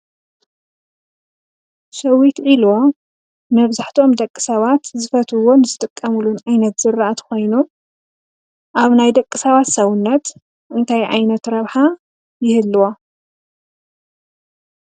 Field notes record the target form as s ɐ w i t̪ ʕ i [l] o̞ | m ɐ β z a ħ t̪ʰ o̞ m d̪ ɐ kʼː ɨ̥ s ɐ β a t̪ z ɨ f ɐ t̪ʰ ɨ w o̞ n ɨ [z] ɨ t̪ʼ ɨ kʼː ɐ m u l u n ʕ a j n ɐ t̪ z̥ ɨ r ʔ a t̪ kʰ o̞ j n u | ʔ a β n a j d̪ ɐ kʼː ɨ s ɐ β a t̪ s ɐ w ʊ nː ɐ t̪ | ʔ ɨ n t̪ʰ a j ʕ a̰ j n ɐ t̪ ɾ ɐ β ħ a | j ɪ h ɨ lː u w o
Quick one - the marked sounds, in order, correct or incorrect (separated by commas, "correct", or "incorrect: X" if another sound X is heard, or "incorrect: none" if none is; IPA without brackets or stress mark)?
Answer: correct, correct